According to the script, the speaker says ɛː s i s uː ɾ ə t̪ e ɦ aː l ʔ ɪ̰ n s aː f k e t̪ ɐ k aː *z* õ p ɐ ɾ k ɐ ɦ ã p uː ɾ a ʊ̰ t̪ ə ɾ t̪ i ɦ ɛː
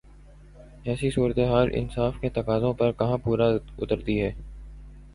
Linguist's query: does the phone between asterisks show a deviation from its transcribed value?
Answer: no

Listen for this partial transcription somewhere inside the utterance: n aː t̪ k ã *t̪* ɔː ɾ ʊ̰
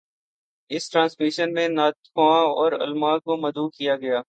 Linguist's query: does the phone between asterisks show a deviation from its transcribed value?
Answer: yes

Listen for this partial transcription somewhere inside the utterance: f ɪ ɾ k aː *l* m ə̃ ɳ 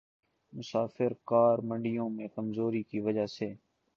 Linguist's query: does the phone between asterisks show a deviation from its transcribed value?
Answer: yes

